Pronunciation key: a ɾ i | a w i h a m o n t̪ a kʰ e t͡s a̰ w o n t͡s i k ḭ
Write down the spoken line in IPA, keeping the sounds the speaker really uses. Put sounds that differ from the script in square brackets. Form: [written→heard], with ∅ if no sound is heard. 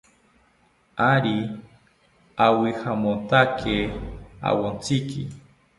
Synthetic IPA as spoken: a ɾ i | a w i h a m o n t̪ a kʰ e [t͡s→∅] a̰ w o n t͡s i k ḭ